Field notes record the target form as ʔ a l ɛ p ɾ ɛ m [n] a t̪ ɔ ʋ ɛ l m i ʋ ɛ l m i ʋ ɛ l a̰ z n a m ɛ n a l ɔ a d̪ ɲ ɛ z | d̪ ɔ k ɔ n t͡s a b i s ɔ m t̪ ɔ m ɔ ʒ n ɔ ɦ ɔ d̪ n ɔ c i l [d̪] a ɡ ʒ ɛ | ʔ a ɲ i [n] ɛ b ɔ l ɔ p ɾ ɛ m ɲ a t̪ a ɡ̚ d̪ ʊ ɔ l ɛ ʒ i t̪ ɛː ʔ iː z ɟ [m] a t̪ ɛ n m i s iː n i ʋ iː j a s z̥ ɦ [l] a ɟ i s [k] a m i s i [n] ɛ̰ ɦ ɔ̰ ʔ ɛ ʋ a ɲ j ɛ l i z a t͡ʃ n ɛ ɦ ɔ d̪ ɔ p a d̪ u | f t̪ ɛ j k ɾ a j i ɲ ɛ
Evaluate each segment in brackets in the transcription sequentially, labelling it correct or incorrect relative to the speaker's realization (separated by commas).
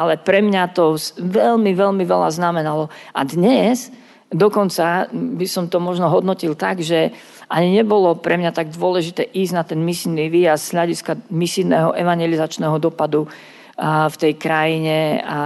incorrect, incorrect, incorrect, incorrect, incorrect, correct, correct